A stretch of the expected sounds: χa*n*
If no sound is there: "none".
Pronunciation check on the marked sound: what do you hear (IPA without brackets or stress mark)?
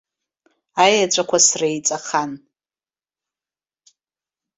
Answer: n